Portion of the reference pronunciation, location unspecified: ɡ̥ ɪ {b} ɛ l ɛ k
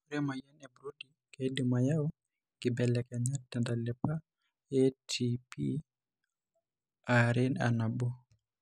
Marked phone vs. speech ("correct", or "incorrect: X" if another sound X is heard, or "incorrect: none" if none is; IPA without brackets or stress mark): correct